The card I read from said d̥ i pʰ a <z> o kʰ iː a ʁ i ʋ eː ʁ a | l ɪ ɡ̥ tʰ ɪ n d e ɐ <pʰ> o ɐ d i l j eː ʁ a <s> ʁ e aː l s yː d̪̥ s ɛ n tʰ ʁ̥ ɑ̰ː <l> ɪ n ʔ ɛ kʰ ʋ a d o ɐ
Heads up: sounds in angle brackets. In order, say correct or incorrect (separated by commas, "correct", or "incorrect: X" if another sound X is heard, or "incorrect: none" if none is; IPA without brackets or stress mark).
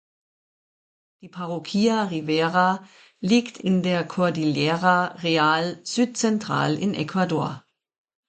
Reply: incorrect: ʁ, incorrect: kʰ, incorrect: none, correct